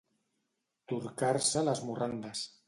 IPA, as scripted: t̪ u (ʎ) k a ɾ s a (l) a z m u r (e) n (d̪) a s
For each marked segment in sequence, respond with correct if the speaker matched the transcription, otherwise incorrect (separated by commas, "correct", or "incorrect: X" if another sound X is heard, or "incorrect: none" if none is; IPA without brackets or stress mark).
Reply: incorrect: ɾ, correct, incorrect: a, correct